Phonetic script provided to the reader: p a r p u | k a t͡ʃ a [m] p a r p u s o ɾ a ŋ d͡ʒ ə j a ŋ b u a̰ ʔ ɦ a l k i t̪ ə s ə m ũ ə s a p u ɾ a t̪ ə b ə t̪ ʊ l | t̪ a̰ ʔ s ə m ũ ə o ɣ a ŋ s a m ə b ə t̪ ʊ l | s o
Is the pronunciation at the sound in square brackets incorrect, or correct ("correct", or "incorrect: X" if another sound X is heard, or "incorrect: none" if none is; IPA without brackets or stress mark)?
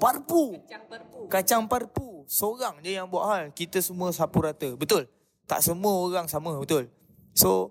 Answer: incorrect: ŋ